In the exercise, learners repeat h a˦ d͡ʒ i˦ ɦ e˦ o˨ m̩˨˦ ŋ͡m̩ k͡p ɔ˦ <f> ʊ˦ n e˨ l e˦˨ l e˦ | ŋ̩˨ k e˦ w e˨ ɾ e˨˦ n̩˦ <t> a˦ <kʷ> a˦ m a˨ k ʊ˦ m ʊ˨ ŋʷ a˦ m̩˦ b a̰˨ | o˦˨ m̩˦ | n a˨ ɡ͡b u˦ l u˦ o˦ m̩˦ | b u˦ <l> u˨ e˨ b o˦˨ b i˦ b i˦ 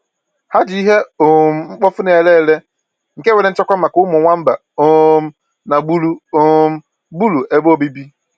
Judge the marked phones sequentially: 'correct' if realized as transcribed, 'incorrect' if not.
correct, incorrect, correct, correct

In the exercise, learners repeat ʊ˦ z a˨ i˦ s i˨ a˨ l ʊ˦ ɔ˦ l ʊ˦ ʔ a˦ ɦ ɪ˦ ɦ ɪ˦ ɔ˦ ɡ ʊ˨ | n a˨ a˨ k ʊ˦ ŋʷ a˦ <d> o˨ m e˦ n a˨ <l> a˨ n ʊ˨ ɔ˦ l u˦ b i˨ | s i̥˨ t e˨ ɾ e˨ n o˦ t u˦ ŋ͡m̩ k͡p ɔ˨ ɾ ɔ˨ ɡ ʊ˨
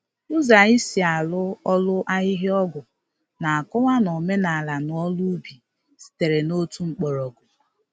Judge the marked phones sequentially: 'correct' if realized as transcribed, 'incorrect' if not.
incorrect, correct

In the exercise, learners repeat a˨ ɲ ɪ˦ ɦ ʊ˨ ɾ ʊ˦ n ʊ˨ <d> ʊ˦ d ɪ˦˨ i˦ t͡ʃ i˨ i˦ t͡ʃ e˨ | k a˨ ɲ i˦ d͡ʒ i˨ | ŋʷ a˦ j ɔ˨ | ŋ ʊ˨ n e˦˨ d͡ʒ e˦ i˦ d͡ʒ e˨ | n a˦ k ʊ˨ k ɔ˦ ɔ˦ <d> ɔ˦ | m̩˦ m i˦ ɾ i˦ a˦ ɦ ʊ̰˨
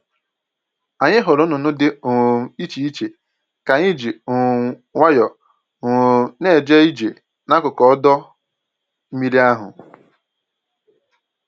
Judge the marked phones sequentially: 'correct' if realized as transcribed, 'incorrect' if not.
incorrect, correct

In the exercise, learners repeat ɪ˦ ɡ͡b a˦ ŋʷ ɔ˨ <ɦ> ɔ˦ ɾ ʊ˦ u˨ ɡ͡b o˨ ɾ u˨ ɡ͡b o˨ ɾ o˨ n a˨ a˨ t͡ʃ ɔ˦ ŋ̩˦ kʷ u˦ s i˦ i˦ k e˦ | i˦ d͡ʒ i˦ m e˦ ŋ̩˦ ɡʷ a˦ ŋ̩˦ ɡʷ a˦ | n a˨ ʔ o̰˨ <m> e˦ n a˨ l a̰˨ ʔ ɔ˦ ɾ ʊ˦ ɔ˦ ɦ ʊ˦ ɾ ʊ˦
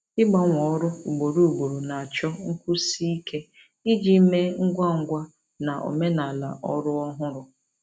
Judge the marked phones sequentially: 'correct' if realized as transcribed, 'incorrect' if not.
incorrect, correct

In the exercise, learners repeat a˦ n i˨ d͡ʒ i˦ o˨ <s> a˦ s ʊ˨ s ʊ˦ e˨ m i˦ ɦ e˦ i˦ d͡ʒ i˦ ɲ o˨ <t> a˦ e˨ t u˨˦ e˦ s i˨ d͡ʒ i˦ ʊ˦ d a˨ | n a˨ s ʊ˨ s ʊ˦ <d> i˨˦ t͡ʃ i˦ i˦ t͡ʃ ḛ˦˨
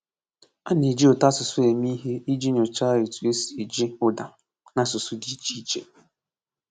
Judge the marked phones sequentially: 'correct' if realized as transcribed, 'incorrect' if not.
incorrect, incorrect, correct

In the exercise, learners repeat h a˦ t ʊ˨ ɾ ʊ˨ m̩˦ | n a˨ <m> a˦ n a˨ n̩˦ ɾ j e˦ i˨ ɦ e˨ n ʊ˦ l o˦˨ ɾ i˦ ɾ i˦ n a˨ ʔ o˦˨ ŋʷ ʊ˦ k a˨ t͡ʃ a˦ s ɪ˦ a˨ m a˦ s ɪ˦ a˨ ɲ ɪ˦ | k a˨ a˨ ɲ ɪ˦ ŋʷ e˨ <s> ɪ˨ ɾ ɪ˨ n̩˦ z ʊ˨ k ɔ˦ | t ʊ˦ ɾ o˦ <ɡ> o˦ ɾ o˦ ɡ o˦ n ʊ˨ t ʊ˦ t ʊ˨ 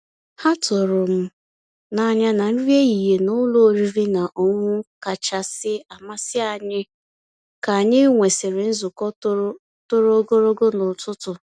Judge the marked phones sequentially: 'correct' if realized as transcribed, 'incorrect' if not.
incorrect, correct, correct

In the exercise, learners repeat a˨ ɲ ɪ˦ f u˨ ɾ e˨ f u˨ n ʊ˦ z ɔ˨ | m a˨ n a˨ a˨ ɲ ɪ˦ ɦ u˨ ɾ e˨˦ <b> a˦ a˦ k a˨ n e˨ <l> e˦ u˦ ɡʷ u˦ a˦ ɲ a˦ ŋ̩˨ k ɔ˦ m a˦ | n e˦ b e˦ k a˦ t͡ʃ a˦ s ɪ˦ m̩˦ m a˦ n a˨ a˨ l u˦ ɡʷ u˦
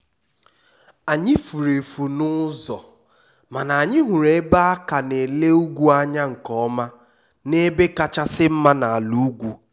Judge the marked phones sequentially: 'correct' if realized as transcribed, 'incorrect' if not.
correct, correct

